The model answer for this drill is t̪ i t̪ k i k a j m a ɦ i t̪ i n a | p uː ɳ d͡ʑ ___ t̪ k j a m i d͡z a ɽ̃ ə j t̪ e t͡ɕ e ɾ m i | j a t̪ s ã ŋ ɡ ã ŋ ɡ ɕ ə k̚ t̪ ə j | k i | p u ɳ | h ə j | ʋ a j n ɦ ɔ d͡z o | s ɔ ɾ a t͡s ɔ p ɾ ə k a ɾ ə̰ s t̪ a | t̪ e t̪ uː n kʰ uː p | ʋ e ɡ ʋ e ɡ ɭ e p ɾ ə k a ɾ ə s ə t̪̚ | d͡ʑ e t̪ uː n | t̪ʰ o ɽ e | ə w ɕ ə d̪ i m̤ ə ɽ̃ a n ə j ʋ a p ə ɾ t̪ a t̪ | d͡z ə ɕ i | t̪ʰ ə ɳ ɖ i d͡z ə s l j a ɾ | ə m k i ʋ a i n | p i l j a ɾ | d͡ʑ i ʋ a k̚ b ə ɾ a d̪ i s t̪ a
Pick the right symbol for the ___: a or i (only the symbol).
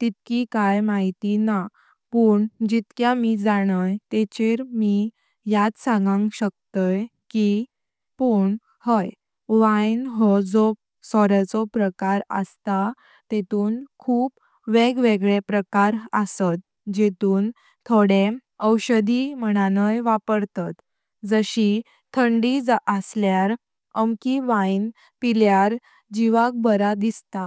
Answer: i